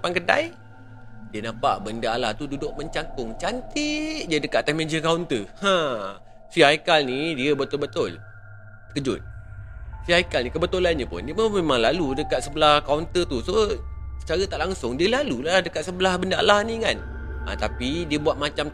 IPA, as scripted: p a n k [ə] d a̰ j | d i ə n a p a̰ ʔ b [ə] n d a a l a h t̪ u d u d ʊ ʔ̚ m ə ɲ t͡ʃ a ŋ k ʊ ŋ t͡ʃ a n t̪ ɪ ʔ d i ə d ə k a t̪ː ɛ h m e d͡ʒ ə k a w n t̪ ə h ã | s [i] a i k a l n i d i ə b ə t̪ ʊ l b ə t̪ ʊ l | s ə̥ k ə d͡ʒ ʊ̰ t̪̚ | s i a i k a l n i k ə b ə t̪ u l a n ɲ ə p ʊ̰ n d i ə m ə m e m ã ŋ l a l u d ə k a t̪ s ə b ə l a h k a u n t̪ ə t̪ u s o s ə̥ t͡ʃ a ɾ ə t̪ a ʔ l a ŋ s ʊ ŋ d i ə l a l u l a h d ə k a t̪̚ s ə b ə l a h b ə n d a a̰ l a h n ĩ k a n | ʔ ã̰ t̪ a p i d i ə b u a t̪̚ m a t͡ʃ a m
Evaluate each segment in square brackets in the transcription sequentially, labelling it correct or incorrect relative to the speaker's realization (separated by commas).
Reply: correct, correct, correct